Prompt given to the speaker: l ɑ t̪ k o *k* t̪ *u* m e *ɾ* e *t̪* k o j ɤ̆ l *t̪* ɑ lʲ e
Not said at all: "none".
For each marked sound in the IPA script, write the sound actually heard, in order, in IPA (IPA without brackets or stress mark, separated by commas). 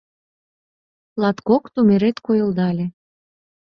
k, u, ɾ, t̪, d̪